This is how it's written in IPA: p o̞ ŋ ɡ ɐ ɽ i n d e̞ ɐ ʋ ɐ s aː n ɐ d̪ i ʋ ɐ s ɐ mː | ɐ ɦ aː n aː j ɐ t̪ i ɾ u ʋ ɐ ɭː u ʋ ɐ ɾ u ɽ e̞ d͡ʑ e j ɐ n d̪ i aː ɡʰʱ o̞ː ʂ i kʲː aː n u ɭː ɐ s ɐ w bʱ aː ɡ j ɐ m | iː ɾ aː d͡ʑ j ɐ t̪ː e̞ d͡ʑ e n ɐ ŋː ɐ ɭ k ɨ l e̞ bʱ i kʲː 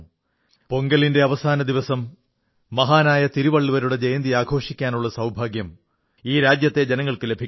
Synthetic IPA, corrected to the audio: p o̞ ŋ ɡ ɐ l i n d e̞ ɐ ʋ ɐ s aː n ɐ d̪ i ʋ ɐ s ɐ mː | ɐ ɦ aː n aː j ɐ t̪ i ɾ u ʋ ɐ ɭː u ʋ ɐ ɾ u ɽ e̞ d͡ʑ e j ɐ n d̪ i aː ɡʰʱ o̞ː ʂ i kʲː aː n u ɭː ɐ s ɐ w bʱ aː ɡ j ɐ m | iː ɾ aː d͡ʑ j ɐ t̪ː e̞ d͡ʑ e n ɐ ŋː ɐ ɭ k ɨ l e̞ bʱ i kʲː

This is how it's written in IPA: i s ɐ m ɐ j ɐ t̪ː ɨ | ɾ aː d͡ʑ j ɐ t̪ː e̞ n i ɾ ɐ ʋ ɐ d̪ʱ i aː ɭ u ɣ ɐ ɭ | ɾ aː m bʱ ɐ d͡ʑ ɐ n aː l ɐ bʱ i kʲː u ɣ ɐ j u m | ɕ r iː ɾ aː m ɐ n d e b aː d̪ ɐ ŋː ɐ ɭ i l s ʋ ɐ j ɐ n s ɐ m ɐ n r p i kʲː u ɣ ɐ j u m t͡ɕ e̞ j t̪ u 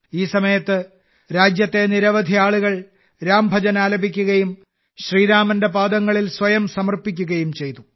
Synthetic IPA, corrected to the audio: iː s ɐ m ɐ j ɐ t̪ː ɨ | ɾ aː d͡ʑ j ɐ t̪ː e̞ n i ɾ ɐ ʋ ɐ d̪ʱ i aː ɭ u ɣ ɐ ɭ | ɾ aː m bʱ ɐ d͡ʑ ɐ n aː l ɐ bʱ i kʲː u ɣ ɐ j u m | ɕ r iː ɾ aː m ɐ n d e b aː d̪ ɐ ŋː ɐ ɭ i l s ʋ ɐ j ɐ m s ɐ m ɐ r p i kʲː u ɣ ɐ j u m t͡ɕ e̞ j t̪ u

